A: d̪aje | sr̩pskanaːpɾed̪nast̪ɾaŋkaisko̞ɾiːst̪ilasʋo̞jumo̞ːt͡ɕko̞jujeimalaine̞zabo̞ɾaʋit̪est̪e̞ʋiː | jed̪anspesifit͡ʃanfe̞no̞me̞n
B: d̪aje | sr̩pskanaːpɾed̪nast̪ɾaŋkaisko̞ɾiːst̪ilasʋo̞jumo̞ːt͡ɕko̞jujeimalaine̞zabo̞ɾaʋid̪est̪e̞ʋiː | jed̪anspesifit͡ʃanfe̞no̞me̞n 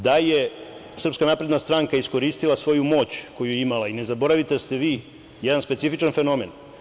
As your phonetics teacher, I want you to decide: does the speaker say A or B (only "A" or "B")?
A